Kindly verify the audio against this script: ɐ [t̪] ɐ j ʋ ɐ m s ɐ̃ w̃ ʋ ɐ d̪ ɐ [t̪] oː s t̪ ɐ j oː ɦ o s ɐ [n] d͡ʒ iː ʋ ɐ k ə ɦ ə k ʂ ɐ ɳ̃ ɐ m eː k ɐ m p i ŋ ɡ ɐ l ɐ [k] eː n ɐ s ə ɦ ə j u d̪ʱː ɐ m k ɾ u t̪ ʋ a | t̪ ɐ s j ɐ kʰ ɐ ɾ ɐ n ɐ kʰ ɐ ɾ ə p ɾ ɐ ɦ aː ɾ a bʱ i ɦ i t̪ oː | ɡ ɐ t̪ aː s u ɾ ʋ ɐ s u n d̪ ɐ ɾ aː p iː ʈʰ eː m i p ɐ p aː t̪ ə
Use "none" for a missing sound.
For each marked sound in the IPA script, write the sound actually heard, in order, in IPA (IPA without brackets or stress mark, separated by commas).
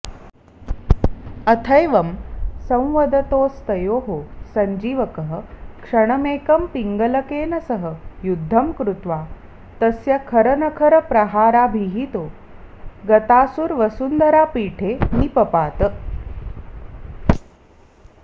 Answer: t̪ʰ, t̪, ɲ, k